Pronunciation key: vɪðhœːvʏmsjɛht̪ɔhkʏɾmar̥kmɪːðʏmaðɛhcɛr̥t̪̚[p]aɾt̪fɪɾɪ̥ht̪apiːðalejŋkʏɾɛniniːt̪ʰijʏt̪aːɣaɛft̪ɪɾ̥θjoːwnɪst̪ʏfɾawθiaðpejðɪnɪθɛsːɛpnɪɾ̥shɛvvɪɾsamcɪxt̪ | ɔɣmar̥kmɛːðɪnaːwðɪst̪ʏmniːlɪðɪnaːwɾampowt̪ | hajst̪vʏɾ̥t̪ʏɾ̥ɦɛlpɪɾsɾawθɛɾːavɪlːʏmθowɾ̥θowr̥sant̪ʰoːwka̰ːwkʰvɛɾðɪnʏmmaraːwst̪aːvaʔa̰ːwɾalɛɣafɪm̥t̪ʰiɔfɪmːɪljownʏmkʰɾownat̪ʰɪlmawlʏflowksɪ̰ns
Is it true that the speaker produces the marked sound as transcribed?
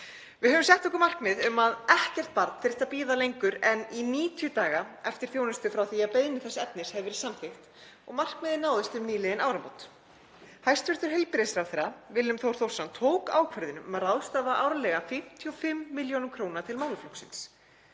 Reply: yes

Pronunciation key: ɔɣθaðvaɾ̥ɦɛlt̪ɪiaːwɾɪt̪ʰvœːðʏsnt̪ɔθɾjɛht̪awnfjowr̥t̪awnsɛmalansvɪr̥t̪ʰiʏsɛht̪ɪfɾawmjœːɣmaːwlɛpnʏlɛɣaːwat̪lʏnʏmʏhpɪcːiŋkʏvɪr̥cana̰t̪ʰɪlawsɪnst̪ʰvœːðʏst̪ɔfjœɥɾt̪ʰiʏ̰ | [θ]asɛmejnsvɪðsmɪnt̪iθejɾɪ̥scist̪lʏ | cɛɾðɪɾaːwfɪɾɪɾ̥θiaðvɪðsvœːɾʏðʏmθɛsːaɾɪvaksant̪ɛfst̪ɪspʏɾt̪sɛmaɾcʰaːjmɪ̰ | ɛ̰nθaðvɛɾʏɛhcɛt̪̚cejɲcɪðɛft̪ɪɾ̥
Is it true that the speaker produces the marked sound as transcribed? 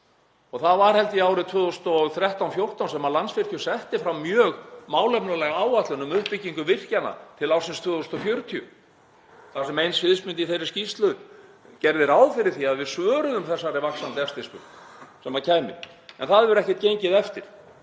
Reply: yes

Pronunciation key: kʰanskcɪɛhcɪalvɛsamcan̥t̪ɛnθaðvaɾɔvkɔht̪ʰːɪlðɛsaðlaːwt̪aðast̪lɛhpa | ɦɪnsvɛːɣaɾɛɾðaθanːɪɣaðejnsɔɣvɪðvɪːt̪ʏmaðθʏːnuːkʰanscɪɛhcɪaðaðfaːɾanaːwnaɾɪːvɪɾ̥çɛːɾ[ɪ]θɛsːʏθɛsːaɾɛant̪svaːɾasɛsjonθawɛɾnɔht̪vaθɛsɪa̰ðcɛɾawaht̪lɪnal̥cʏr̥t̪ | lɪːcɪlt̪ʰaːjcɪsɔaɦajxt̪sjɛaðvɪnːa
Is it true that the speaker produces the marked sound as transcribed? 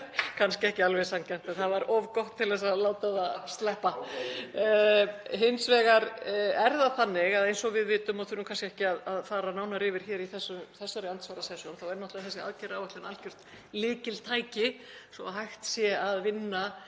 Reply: no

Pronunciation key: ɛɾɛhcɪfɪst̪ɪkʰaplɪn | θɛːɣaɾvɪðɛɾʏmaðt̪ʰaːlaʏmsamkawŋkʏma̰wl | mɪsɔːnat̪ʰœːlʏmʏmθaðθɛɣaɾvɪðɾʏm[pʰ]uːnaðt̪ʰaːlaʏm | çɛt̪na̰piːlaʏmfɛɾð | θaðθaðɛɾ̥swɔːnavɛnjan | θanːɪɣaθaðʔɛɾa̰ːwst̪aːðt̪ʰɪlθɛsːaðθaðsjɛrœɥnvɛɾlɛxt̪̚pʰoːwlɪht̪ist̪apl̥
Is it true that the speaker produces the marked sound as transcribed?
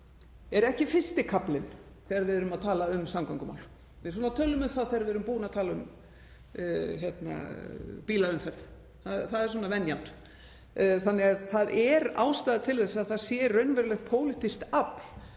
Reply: no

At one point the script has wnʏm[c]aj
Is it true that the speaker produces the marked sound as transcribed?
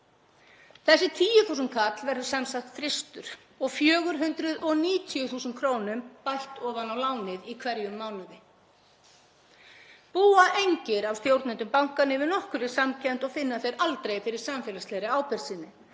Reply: no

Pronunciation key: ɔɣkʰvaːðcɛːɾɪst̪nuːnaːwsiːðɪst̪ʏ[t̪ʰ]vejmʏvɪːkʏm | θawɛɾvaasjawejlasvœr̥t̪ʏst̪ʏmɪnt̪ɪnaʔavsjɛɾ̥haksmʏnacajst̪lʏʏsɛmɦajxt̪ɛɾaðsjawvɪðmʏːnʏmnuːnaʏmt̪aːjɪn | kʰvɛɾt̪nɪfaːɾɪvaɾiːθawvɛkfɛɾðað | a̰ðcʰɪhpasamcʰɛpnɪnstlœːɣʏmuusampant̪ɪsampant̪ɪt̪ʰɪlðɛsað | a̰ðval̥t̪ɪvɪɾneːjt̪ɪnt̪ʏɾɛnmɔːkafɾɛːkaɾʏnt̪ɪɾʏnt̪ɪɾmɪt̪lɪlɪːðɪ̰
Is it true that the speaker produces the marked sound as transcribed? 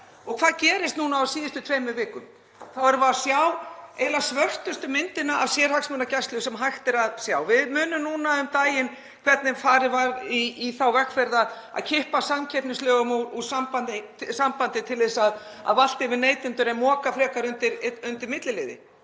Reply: yes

